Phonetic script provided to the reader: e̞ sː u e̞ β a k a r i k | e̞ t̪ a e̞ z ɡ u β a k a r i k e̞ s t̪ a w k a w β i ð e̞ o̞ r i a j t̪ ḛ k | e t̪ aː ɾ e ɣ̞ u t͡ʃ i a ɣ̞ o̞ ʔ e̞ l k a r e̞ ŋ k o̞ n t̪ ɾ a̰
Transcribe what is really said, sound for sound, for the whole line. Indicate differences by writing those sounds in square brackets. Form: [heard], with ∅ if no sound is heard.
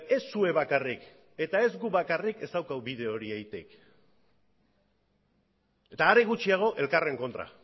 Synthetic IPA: e̞ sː u e̞ β a k a r i k | e̞ t̪ a e̞ z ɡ u β a k a r i k e̞ s t̪ a w k a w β i ð e̞ o̞ [ɾ] i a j t̪ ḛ k | e t̪ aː ɾ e ɣ̞ u t͡ʃ i a ɣ̞ o̞ ʔ e̞ l k a r e̞ ŋ k o̞ n t̪ ɾ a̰